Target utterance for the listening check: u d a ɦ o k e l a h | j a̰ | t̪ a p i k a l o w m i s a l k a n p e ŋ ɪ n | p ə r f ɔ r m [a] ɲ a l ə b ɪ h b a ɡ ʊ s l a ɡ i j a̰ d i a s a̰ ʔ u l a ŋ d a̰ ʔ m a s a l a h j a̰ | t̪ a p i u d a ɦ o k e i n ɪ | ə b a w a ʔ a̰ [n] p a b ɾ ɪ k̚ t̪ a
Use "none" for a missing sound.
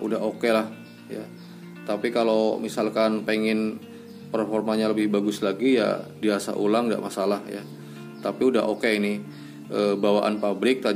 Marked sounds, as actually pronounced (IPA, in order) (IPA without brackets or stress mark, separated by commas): a, n